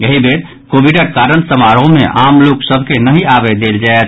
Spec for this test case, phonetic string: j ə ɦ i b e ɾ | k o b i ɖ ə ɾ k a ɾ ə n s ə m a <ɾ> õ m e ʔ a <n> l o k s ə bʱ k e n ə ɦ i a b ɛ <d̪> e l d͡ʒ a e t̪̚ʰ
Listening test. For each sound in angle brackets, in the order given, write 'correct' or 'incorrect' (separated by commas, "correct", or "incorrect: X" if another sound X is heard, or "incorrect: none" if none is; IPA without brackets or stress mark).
correct, incorrect: m, correct